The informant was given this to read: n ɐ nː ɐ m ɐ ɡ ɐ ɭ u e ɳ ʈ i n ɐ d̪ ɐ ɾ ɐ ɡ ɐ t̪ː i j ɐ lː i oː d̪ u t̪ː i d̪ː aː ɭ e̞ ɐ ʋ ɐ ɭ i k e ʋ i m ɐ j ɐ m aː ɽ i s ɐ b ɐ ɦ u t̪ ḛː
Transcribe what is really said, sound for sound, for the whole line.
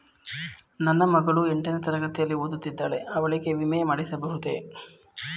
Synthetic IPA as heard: n ɐ nː ɐ m ɐ ɡ ɐ ɭ u e ɳ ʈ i n ɐ t̪ ɐ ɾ ɐ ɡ ɐ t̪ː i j ɐ lː i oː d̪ u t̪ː i d̪ː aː ɭ e̞ ɐ ʋ ɐ ɭ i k e ʋ i m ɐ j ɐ m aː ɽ i s ɐ b ɐ ɦ u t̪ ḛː